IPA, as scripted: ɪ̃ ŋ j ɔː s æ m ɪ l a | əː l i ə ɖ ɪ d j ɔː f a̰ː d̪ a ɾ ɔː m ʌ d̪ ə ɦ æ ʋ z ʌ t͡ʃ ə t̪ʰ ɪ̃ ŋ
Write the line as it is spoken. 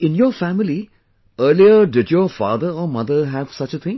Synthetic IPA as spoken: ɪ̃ n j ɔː f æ m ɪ l i | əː l i ə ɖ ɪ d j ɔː f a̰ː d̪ ə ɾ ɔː m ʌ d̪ ə ɦ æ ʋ s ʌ t͡ʃ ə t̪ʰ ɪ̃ ŋ